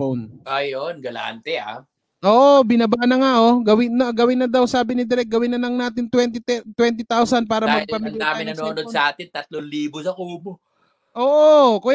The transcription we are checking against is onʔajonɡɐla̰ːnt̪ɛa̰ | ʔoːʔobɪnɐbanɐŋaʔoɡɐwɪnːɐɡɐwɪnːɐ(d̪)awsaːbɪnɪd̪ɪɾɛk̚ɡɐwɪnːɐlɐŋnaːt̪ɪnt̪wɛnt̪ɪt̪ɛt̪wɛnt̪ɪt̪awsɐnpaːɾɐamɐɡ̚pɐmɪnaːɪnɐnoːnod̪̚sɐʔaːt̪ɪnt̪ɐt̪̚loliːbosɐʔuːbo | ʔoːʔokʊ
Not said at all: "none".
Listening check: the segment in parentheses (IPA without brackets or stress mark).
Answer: d̪